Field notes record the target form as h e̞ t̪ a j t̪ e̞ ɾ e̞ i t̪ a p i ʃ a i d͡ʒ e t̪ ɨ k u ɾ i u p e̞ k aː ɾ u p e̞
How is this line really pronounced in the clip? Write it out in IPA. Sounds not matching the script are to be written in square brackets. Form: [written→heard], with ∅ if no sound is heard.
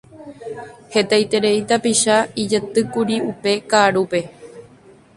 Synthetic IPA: h e̞ t̪ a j t̪ e̞ ɾ e̞ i t̪ a p i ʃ a i d͡ʒ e t̪ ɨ k u ɾ i u p e̞ k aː ɾ u p e̞